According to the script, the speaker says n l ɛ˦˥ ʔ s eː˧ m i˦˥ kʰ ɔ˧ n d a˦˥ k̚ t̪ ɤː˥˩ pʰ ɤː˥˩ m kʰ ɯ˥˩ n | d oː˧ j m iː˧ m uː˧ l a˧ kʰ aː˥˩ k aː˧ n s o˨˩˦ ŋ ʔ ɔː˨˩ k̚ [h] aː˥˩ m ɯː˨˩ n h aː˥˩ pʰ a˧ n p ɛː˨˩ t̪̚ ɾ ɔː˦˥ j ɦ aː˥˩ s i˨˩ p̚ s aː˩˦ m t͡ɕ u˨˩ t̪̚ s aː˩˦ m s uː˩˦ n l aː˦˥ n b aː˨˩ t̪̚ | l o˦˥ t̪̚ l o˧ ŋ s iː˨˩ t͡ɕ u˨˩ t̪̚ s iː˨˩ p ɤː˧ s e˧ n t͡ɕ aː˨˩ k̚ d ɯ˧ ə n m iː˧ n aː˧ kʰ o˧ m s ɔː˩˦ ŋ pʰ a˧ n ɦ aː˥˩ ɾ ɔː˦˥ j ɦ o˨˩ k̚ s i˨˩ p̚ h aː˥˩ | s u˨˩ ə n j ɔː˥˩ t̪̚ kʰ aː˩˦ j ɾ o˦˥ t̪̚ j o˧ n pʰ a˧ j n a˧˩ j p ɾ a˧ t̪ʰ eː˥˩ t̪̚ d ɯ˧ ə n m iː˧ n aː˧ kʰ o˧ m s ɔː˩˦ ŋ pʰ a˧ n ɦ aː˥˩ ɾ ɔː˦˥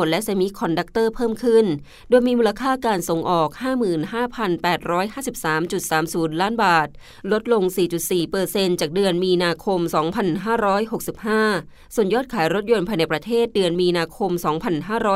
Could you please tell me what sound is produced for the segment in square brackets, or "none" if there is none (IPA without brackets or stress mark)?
h